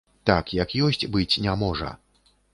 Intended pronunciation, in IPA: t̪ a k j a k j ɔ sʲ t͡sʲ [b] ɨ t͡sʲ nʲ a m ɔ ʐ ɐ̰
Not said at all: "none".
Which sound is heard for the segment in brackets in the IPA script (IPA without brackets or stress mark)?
b